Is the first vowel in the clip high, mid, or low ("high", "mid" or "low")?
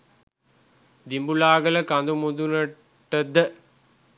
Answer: high